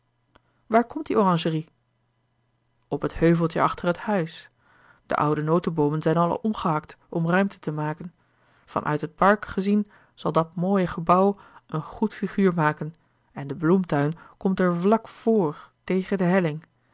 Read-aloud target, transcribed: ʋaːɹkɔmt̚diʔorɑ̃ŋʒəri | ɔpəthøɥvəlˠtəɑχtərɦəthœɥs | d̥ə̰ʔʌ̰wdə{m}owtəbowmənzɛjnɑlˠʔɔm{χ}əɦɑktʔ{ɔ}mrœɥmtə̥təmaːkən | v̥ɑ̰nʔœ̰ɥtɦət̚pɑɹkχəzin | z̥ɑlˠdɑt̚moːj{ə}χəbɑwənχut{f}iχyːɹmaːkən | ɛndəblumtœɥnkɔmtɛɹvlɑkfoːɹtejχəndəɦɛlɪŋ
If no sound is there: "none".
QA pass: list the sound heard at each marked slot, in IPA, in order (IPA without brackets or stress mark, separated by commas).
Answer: n, χ, ɔ, ə, f